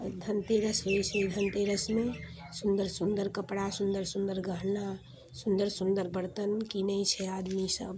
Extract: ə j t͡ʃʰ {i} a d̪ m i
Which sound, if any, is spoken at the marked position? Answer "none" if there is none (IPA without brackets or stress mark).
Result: ɛ